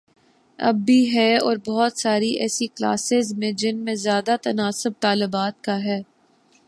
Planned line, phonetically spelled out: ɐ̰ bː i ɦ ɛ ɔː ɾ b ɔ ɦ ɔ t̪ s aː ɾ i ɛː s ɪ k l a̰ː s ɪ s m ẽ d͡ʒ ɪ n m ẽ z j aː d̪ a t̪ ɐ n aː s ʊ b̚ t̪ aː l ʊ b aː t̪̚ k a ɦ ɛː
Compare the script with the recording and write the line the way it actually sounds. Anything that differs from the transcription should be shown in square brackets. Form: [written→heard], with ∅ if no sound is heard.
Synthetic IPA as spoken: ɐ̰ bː i ɦ ɛ ɔː ɾ b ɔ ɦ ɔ t̪ s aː ɾ i ɛː s [ɪ→i] k l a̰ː s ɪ [s→z] m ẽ d͡ʒ ɪ n m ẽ z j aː d̪ a t̪ ɐ n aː s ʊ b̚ t̪ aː l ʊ b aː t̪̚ k a ɦ ɛː

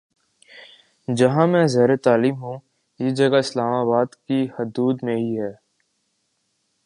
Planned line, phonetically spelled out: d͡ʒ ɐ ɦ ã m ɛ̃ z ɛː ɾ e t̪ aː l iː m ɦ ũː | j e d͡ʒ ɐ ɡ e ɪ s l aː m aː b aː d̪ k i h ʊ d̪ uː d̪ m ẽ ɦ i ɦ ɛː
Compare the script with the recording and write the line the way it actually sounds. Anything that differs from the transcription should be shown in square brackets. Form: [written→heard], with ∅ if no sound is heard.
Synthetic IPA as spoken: d͡ʒ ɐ ɦ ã m ɛ̃ z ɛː ɾ e t̪ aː l iː m ɦ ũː | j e d͡ʒ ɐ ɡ [e→a] ɪ s l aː m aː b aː d̪ k i h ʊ d̪ uː d̪ m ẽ ɦ i ɦ ɛː

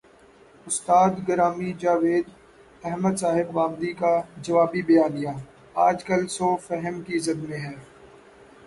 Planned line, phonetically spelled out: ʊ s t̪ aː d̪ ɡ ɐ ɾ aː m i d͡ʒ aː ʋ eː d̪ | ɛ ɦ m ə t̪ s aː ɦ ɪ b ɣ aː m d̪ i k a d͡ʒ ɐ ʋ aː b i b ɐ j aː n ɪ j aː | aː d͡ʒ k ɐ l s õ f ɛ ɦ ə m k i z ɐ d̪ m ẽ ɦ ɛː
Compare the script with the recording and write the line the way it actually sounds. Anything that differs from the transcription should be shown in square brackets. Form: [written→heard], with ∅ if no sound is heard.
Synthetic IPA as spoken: ʊ s t̪ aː d̪ ɡ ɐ ɾ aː m i d͡ʒ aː ʋ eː d̪ | ɛ ɦ m ə [t̪→d̪] s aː ɦ ɪ b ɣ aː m d̪ i k a d͡ʒ ɐ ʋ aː b i b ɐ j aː n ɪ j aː | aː d͡ʒ k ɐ l s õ f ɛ ɦ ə m k i z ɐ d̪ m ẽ ɦ ɛː

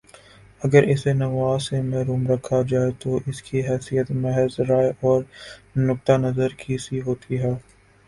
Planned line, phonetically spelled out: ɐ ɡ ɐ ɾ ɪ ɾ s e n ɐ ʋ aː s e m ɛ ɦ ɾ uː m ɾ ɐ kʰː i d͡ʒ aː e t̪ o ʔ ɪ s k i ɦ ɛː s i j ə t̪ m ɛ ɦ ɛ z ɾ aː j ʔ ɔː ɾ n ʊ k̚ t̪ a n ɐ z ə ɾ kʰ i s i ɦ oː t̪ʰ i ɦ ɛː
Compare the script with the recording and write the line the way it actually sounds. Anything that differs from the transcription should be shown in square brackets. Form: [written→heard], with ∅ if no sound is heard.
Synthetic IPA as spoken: ɐ ɡ [ɐ→ə] ɾ ɪ [ɾ→∅] s e n ɐ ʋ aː s e m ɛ ɦ ɾ uː m ɾ ɐ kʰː [i→a] d͡ʒ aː e t̪ o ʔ ɪ s k i ɦ ɛː s i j ə t̪ m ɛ ɦ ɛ z ɾ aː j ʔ ɔː ɾ n ʊ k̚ t̪ a n ɐ z ə ɾ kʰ i s i ɦ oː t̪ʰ i ɦ ɛː

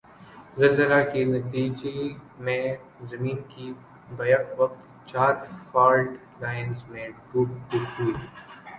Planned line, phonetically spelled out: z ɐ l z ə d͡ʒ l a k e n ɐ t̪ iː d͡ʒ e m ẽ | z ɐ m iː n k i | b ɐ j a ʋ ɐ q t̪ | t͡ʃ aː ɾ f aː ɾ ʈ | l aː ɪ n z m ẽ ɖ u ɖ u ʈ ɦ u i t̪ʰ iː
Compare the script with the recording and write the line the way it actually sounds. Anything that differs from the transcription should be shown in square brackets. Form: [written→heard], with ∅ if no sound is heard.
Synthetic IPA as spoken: z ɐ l z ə [d͡ʒ→∅] l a k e n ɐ t̪ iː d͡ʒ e m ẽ | z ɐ m iː n k i | b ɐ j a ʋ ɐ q t̪ | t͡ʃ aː ɾ f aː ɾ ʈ | l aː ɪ n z m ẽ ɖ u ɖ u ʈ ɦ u i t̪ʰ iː

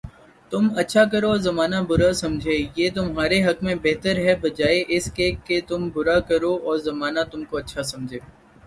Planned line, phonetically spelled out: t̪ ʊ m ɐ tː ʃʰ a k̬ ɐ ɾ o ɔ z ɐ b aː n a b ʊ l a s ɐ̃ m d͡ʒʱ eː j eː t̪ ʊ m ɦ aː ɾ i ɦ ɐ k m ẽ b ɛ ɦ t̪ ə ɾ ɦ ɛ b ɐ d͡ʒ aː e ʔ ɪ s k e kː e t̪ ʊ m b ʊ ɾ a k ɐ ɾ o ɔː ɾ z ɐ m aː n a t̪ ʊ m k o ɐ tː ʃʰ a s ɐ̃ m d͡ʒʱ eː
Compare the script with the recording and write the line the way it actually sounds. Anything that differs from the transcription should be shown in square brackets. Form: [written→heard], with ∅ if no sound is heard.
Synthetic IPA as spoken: t̪ ʊ m ɐ tː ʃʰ a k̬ ɐ ɾ o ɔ z ɐ [b→m] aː n a b ʊ [l→ɾ] a s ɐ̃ m d͡ʒʱ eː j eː t̪ ʊ m ɦ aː ɾ [i→e] ɦ ɐ k m ẽ b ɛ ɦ t̪ ə ɾ ɦ ɛ b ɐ d͡ʒ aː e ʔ ɪ s k e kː e t̪ ʊ m b ʊ ɾ a k ɐ ɾ o ɔː ɾ z ɐ m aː n a t̪ ʊ m k o ɐ tː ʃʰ a s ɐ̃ m d͡ʒʱ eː

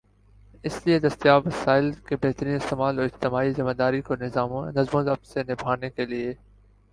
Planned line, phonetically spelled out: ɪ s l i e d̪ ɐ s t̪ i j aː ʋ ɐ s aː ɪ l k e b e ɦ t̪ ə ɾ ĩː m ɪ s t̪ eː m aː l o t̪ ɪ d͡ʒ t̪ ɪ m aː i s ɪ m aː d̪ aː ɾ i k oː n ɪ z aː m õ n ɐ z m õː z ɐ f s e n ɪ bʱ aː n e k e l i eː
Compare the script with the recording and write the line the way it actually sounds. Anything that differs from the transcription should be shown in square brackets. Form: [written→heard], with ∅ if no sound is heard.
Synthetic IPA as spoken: ɪ s l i e d̪ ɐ s t̪ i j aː ʋ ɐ s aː ɪ l k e b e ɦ t̪ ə ɾ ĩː [m→n] ɪ s t̪ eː m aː l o [t̪→∅] ɪ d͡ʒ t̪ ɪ m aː i [s→z] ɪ m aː d̪ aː ɾ i k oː n ɪ z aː m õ n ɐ z m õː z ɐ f s e n ɪ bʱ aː n e k e l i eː

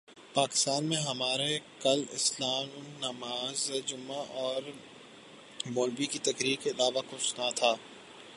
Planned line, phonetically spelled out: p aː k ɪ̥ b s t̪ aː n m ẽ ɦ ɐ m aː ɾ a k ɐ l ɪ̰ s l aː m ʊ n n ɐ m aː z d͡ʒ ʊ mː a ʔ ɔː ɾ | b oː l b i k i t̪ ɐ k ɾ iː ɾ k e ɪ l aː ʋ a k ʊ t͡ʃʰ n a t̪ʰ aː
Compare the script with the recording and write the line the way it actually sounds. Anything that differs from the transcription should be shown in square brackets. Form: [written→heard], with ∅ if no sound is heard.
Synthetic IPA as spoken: p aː k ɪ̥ [b→∅] s t̪ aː n m ẽ ɦ ɐ m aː ɾ [a→e] k ɐ l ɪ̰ s l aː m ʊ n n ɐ m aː z d͡ʒ ʊ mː a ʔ ɔː ɾ | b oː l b i k i t̪ ɐ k ɾ iː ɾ k e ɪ l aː ʋ a k ʊ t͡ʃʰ n a t̪ʰ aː

